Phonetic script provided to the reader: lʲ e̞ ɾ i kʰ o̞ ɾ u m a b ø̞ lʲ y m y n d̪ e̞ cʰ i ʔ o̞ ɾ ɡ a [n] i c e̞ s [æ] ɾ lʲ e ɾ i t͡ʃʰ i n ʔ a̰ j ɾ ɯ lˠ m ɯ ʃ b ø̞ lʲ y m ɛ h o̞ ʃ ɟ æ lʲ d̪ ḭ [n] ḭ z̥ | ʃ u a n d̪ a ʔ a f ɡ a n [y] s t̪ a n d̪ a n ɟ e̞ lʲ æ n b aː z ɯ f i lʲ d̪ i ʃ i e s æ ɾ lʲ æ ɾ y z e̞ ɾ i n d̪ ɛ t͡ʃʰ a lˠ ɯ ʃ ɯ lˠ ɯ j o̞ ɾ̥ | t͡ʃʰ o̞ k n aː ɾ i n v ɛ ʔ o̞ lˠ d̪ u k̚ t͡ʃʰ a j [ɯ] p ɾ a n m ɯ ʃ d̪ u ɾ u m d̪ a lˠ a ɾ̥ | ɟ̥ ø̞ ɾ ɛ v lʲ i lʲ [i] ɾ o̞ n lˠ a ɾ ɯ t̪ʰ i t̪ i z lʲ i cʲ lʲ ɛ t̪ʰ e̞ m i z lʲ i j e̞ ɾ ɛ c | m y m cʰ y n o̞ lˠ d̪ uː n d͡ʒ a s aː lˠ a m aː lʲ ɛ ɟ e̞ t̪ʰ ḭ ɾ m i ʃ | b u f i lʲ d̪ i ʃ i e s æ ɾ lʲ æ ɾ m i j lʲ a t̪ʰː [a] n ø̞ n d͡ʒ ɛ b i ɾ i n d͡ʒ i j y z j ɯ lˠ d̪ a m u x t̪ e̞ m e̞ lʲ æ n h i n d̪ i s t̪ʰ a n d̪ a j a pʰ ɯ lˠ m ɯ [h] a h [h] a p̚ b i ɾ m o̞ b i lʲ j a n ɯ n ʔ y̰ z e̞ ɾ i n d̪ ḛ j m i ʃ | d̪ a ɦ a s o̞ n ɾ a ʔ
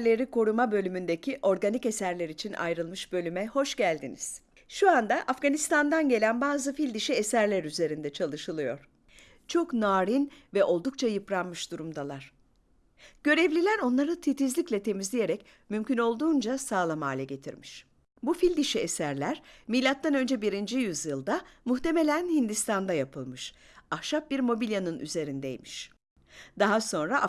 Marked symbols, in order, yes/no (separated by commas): yes, yes, yes, no, yes, no, yes, no, no